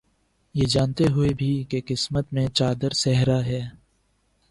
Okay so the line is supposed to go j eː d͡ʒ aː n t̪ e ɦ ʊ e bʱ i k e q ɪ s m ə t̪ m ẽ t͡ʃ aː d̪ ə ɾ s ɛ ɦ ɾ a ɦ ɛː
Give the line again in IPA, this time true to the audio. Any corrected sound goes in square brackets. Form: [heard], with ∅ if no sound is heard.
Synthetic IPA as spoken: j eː d͡ʒ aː n t̪ e ɦ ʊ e bʱ i k e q ɪ s m ə t̪ m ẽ t͡ʃ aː d̪ ə ɾ s ɛ ɦ ɾ a ɦ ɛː